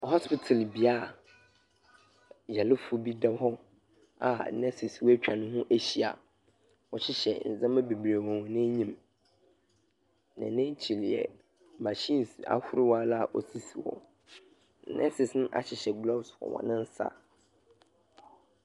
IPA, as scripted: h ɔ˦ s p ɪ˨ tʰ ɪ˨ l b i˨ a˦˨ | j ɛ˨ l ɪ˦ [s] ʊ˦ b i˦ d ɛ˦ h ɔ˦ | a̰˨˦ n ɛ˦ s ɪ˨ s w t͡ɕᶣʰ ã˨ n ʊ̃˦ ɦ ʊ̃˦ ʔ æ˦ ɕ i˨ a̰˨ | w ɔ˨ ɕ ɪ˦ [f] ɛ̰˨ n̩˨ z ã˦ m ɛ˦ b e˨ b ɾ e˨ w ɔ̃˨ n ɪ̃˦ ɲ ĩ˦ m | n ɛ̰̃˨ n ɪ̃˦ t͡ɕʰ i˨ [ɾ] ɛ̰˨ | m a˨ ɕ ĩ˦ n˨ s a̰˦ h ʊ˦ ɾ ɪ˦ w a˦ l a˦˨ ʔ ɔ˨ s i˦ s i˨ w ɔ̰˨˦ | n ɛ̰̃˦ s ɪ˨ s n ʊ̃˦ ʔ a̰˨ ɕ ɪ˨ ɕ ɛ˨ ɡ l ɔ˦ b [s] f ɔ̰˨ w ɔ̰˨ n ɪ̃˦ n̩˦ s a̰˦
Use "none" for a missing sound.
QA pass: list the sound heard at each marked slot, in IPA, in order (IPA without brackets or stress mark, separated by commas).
f, ɕ, l, s